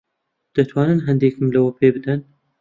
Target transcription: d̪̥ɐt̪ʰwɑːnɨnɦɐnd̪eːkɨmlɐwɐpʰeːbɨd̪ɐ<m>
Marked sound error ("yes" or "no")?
yes